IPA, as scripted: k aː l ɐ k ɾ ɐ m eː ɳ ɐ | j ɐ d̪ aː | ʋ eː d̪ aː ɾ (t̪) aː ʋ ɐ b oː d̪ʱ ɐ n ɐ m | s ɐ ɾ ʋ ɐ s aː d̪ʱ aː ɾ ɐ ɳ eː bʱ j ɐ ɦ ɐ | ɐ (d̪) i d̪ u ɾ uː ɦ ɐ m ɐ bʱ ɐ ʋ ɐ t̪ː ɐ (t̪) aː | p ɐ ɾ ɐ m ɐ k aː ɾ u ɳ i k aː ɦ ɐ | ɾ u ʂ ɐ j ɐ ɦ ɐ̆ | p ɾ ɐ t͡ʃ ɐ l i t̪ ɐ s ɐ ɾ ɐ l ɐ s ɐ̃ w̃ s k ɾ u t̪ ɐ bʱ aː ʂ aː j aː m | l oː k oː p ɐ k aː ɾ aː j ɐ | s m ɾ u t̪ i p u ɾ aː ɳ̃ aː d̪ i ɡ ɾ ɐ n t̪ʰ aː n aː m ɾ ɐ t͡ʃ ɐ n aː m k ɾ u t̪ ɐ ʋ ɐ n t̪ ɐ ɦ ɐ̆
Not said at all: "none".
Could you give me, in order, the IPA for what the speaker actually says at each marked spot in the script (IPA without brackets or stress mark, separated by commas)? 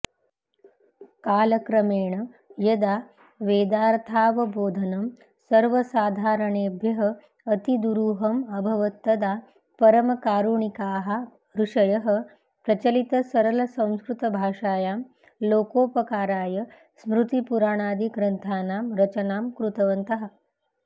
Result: t̪ʰ, t̪, d̪